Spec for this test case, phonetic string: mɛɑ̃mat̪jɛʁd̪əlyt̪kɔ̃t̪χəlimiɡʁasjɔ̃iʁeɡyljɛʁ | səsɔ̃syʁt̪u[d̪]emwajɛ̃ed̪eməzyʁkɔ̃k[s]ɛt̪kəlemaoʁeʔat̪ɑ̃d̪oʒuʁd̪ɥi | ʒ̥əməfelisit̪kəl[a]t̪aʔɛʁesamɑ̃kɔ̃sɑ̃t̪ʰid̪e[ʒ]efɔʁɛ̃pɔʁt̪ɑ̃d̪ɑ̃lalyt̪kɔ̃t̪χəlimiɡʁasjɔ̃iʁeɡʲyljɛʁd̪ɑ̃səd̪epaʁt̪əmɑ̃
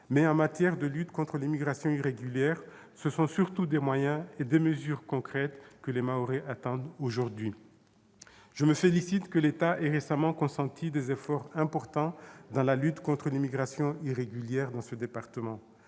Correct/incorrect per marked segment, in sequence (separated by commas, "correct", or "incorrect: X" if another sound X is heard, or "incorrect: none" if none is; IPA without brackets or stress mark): correct, incorrect: χ, incorrect: e, incorrect: z